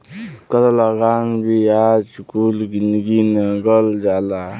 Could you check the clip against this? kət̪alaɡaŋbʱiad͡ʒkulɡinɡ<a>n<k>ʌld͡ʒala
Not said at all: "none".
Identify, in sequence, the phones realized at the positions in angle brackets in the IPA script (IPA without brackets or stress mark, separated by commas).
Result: i, ɡ